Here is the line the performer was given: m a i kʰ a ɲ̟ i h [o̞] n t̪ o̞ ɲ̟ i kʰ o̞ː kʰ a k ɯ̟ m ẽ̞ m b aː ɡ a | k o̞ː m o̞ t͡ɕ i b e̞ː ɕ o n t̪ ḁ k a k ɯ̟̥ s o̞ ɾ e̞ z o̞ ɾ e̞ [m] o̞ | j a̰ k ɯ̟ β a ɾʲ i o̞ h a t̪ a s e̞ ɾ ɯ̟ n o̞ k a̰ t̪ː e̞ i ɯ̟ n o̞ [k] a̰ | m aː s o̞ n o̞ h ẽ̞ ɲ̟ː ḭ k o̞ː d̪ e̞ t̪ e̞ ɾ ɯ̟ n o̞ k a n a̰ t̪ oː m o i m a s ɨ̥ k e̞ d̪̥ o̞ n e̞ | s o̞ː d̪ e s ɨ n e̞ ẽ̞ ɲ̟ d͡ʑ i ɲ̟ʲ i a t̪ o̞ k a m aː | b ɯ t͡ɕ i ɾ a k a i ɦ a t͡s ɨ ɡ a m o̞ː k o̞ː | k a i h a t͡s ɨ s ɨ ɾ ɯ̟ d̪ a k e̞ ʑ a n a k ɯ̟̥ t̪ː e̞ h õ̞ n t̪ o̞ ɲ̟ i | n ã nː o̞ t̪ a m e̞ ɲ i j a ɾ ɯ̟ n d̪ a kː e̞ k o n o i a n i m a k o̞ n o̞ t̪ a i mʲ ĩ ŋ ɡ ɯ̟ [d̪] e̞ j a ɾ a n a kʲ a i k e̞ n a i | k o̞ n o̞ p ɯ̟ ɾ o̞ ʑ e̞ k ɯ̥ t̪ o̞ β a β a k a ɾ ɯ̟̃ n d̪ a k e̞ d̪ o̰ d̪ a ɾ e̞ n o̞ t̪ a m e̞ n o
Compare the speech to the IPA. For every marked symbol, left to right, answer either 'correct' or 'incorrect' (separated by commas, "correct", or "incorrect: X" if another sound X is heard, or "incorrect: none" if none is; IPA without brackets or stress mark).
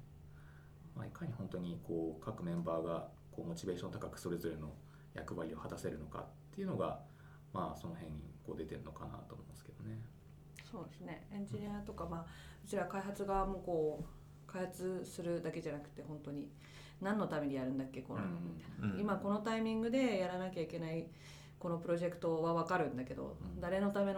incorrect: õ̞, incorrect: n, incorrect: ɡ, correct